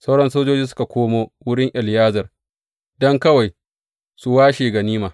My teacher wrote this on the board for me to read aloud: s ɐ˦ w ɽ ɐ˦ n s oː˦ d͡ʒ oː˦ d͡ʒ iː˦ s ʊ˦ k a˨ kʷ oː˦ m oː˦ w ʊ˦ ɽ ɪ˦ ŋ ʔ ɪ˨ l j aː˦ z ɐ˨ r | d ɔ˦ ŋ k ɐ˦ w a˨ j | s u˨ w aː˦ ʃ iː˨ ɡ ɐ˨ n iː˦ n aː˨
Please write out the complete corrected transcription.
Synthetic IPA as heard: s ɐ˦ w ɽ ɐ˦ n s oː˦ d͡ʒ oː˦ d͡ʒ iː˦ s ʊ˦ k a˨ kʷ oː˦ m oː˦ w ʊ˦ ɽ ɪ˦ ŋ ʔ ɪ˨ l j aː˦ z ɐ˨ r | d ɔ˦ ŋ k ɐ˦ w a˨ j | s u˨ w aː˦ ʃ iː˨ ɡ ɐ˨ n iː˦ m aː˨